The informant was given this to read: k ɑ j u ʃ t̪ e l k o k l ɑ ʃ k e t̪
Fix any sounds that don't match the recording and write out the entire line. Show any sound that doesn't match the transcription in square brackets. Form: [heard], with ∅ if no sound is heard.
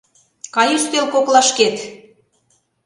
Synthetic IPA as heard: k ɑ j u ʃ t̪ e l k o k l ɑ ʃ k e t̪